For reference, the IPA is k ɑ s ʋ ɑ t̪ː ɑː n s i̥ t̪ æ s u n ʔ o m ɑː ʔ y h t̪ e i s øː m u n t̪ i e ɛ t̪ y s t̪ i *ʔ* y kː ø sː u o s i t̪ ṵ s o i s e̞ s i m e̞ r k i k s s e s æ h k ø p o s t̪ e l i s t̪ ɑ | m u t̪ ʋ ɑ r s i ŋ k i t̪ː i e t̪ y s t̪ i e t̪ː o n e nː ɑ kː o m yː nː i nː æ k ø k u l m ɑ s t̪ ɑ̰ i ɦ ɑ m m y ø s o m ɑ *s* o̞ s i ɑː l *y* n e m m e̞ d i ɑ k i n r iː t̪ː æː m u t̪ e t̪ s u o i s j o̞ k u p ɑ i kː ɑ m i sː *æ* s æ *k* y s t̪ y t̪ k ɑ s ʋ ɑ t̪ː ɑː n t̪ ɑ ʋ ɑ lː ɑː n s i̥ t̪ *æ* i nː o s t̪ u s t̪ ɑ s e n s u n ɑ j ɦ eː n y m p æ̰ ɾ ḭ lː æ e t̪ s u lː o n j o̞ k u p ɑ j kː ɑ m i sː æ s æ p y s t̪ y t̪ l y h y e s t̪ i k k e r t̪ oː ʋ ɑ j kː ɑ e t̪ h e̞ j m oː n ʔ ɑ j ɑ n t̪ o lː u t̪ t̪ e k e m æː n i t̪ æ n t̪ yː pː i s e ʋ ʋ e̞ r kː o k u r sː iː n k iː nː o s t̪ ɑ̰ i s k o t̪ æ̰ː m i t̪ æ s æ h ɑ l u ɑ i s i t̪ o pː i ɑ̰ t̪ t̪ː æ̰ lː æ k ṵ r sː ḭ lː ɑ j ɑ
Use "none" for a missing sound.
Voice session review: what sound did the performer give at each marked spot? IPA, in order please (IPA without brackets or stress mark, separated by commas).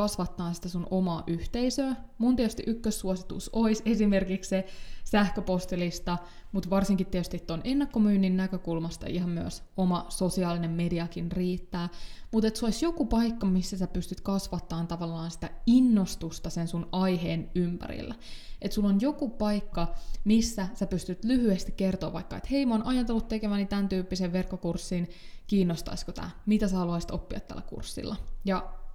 ʔ, s, i, æ, p, æ